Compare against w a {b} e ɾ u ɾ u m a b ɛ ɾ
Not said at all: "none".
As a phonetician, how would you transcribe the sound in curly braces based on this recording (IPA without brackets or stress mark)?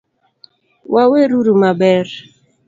w